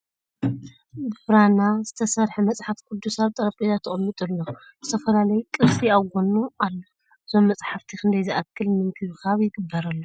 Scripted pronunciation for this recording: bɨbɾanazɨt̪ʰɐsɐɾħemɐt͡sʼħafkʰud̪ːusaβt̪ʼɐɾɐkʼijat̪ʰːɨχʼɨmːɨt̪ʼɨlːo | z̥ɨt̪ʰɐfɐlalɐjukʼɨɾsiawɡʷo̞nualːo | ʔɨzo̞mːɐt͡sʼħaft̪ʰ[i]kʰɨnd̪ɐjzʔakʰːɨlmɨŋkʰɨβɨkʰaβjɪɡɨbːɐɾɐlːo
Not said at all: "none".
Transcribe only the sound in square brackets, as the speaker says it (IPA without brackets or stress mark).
i